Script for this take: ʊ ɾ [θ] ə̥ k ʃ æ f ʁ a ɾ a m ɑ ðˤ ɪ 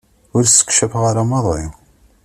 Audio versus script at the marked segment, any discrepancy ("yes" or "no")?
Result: yes